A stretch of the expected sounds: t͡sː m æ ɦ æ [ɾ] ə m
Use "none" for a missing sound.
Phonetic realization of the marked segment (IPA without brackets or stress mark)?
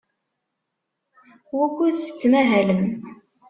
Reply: l